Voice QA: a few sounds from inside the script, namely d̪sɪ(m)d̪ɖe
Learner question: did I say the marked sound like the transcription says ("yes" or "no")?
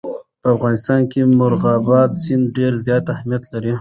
no